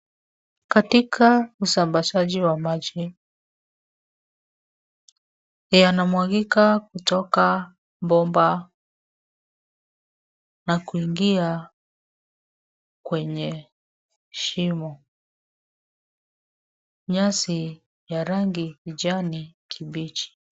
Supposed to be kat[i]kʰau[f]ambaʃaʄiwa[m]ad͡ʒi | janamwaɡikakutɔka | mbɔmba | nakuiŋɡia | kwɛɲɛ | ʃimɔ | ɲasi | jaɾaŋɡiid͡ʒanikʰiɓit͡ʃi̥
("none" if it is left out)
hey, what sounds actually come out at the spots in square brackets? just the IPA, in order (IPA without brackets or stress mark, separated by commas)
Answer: i, s, m